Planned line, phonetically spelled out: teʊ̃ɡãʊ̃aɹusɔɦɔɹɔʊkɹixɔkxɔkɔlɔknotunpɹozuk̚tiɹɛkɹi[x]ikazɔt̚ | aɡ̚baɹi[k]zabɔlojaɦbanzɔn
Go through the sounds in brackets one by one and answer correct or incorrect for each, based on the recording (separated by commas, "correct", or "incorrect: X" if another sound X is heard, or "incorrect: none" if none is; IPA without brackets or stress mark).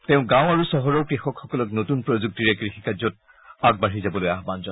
correct, incorrect: none